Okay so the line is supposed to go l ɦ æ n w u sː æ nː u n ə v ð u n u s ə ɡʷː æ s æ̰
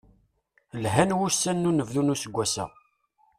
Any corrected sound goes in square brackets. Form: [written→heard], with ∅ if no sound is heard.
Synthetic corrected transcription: l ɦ æ n w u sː æ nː u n ə v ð u n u s ə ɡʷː æ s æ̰